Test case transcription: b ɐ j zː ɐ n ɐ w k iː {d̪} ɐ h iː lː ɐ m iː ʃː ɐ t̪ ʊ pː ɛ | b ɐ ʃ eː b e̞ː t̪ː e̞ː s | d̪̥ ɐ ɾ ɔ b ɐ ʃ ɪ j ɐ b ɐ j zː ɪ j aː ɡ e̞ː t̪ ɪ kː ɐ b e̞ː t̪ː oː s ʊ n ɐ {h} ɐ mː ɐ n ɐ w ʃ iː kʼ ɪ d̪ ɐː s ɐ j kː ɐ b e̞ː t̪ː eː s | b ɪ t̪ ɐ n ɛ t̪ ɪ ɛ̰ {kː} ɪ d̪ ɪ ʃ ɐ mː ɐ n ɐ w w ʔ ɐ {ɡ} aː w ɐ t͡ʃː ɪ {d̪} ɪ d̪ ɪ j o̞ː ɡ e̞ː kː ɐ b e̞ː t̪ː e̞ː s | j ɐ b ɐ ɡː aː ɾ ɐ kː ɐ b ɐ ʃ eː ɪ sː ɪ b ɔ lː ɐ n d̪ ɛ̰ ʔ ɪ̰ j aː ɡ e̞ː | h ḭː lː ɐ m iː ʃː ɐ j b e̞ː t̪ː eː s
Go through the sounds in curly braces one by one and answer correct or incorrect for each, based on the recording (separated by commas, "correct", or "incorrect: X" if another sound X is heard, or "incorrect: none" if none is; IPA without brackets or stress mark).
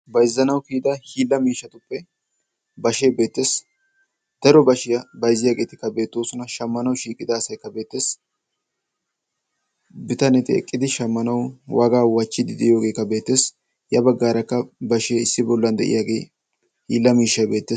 correct, incorrect: ʃ, incorrect: kʼː, correct, correct